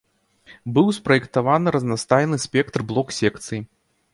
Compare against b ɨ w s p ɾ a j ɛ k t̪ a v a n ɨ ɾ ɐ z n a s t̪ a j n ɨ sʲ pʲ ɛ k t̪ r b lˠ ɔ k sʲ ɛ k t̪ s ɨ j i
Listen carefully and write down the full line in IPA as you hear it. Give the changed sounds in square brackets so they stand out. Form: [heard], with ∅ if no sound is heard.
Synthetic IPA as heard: b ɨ w s p ɾ [ɐ] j ɛ k t̪ a v a n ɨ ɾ ɐ z n a s t̪ a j n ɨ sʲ pʲ ɛ k t̪ r b lˠ ɔ k sʲ ɛ k t̪ s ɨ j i